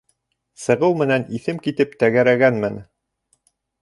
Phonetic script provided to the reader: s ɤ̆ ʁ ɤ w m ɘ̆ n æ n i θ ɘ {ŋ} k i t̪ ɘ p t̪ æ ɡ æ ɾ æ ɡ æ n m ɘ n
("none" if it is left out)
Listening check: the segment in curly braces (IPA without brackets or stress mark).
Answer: m